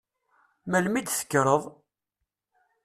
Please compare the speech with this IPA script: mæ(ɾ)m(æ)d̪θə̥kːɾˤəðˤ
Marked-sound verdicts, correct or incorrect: incorrect, incorrect

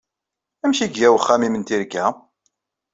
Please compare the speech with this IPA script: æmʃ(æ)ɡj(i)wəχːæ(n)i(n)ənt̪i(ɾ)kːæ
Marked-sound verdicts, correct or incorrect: incorrect, incorrect, incorrect, incorrect, correct

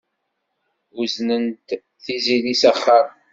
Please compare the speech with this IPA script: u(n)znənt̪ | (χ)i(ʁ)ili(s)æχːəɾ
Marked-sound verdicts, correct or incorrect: incorrect, incorrect, incorrect, correct

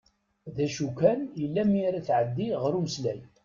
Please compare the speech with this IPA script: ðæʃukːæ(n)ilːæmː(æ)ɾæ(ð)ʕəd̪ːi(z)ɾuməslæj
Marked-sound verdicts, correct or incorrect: correct, incorrect, incorrect, incorrect

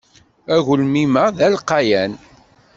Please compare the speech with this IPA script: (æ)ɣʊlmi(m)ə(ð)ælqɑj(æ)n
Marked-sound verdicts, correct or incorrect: correct, correct, correct, correct

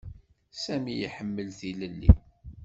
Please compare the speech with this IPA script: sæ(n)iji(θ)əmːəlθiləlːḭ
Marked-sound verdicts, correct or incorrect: incorrect, incorrect

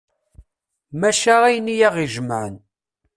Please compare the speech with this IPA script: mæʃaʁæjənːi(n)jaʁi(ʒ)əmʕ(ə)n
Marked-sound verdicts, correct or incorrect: incorrect, correct, correct

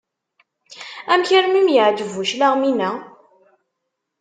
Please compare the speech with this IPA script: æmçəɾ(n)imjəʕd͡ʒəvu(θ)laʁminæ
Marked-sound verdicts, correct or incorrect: incorrect, incorrect

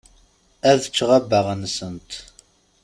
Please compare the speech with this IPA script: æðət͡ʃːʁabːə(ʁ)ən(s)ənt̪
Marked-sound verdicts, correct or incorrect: correct, correct

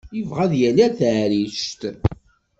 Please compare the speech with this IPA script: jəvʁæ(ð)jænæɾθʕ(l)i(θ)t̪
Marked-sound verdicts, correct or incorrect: correct, incorrect, incorrect

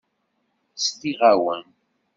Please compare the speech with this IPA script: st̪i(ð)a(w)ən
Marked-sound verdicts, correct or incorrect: incorrect, correct

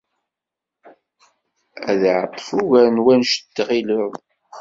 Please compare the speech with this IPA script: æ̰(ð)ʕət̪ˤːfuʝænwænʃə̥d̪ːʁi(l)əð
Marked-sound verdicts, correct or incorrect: correct, correct

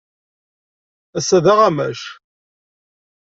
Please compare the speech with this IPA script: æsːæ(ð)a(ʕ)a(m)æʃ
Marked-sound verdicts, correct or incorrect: correct, incorrect, correct

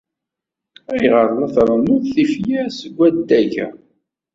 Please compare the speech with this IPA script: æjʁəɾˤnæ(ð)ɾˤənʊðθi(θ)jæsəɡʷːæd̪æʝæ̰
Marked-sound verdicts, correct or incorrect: incorrect, incorrect

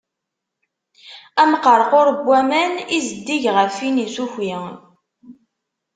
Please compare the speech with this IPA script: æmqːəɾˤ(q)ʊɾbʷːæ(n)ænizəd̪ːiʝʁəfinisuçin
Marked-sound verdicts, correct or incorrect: correct, incorrect

